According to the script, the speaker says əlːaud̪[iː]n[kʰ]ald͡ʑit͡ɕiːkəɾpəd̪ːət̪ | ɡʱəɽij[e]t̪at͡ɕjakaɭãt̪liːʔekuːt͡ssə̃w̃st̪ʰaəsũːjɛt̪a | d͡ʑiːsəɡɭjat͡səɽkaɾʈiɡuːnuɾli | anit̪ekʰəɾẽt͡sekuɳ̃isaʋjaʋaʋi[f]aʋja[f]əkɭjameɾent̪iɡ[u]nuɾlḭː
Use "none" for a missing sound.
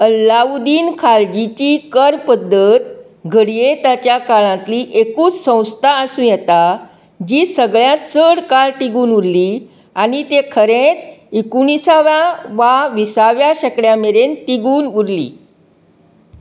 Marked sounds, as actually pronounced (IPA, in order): iː, kʰ, e, s, ɕ, uː

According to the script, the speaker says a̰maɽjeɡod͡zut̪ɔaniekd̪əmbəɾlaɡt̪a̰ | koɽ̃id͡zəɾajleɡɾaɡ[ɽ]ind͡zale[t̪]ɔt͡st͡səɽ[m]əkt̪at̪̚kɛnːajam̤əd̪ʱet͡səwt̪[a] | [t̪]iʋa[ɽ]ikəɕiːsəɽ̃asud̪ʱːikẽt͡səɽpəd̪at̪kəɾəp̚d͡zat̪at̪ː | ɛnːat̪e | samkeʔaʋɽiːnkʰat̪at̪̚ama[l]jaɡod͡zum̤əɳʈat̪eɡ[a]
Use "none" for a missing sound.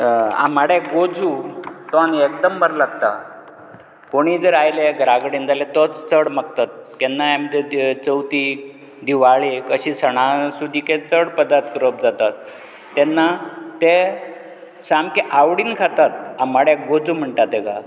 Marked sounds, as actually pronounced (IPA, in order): ɽ, t̪, m, i, d̪, ɭ, ɽ, a

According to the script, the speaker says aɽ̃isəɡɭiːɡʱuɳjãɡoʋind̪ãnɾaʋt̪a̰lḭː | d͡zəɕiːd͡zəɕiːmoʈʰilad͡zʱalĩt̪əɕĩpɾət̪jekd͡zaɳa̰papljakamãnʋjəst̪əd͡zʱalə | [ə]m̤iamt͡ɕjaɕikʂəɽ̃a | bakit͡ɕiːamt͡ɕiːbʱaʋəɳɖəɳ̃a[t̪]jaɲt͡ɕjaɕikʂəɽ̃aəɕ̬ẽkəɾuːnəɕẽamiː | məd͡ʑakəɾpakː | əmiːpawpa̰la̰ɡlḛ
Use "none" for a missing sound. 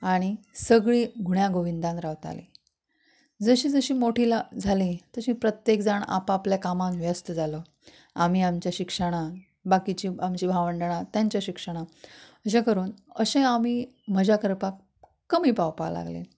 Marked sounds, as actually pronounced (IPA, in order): a, t̪

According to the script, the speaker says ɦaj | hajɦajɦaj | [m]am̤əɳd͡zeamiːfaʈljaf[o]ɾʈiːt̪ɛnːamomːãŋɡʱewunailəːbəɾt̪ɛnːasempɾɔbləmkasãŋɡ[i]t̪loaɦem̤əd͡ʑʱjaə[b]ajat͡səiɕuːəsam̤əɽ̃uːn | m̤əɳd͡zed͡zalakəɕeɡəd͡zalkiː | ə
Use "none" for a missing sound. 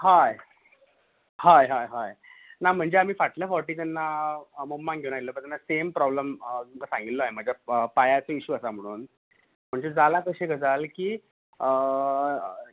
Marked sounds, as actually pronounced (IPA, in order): n, ɔ, i, p

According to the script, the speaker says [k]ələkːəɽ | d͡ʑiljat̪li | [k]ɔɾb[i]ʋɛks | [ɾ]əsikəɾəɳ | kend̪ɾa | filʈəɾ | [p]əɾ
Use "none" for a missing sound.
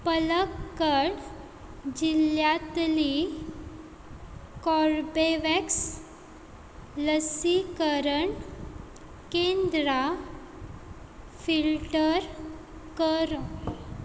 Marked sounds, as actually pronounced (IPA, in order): p, k, e, l, k

